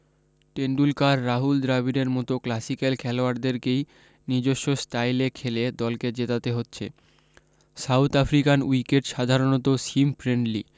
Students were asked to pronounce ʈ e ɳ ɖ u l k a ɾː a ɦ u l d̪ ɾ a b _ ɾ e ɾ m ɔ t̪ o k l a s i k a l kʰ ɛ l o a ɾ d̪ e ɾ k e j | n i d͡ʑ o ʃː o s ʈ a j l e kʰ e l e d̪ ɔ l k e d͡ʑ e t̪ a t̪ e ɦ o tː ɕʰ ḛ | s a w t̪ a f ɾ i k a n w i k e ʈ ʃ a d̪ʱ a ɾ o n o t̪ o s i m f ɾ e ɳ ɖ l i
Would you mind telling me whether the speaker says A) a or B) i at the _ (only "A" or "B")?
B